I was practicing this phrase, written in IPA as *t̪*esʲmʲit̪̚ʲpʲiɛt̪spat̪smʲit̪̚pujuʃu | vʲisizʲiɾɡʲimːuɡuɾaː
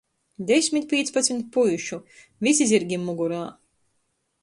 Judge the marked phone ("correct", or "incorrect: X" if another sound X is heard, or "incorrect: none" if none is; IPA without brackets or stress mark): incorrect: d̪